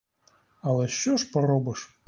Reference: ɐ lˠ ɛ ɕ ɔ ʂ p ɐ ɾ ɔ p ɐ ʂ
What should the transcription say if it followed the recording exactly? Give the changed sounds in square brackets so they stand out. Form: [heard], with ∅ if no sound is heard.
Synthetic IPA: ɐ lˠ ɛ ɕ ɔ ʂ p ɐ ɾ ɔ [b] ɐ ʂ